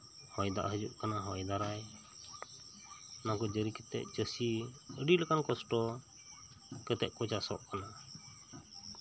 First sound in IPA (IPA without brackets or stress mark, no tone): h